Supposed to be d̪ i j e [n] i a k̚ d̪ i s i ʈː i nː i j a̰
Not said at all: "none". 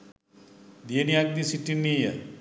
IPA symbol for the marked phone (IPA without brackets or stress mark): n